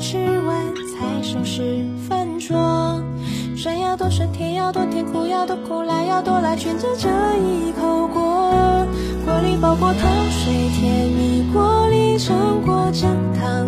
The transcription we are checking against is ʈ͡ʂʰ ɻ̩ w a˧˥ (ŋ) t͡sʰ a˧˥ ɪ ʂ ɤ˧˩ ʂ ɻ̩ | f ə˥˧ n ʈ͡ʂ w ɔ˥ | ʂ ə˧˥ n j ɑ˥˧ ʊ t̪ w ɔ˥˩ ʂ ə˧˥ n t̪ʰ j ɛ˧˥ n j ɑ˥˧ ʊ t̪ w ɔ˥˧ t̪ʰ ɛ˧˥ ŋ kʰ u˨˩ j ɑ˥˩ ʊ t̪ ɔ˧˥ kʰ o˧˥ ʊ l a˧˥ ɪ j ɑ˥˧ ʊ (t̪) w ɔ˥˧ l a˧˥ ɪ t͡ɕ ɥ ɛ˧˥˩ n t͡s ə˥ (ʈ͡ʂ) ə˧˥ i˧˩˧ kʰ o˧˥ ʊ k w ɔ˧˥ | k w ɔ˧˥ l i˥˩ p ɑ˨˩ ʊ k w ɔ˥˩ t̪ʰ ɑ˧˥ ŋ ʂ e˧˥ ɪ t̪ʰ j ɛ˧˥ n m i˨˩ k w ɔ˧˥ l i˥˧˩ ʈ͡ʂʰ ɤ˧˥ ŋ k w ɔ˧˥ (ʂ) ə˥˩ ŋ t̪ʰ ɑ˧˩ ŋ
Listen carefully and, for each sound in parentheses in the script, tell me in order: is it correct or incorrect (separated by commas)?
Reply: incorrect, correct, correct, incorrect